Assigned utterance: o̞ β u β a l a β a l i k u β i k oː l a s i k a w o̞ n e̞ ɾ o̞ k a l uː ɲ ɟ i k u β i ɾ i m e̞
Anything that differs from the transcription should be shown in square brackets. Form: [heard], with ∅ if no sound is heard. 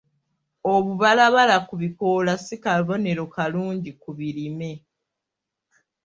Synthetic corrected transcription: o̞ β u β a l a β a l [a] k u β i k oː l a s i k a [β] o̞ n e̞ ɾ o̞ k a l uː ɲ ɟ i k u β i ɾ i m e̞